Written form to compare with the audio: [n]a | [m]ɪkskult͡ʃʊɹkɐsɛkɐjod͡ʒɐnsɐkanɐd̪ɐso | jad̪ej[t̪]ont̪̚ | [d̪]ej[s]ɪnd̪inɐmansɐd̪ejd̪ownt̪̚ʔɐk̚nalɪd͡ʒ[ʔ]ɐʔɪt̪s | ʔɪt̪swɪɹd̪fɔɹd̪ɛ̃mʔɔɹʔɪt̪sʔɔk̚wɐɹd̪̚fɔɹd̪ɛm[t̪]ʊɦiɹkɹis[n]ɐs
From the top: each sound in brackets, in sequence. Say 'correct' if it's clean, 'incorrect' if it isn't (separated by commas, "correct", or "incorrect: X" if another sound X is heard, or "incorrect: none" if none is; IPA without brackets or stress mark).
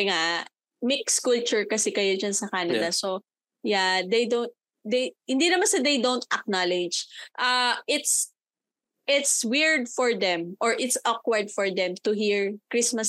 incorrect: ŋ, correct, incorrect: d̪, correct, incorrect: h, correct, correct, incorrect: m